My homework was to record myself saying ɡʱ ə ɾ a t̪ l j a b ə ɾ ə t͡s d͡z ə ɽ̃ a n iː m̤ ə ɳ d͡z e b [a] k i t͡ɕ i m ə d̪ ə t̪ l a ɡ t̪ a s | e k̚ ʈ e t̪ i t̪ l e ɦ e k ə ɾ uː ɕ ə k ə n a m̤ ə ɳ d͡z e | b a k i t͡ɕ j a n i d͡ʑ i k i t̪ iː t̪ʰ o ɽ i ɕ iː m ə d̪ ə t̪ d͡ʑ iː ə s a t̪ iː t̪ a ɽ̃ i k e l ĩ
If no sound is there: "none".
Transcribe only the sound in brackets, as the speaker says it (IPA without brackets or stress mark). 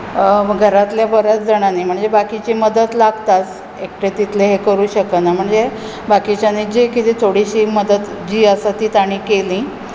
a